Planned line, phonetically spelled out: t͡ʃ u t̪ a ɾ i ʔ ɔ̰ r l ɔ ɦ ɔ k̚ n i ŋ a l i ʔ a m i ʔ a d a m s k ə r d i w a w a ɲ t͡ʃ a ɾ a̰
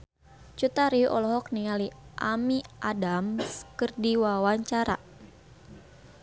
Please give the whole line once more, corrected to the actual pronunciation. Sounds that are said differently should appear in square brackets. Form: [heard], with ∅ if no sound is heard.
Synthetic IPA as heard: t͡ʃ u t̪ a ɾ i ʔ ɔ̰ [∅] l ɔ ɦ ɔ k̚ n i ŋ a l i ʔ a m i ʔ a d a m s k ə r d i w a w a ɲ t͡ʃ a ɾ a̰